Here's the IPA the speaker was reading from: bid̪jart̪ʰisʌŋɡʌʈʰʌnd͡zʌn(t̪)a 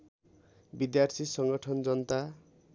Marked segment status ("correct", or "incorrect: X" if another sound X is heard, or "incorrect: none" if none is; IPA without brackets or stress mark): correct